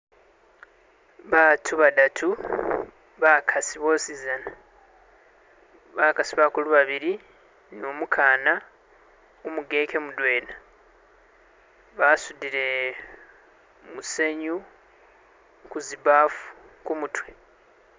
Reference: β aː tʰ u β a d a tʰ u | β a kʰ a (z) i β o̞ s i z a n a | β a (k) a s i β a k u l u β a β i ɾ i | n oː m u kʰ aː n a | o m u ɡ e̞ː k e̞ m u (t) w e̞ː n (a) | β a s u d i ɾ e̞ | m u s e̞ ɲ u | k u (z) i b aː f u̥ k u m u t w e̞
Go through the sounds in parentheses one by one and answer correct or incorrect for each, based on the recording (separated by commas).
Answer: incorrect, correct, incorrect, correct, correct